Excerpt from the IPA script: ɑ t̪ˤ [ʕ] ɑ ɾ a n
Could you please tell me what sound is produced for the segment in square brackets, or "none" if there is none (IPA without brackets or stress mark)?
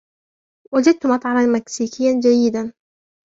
ʕ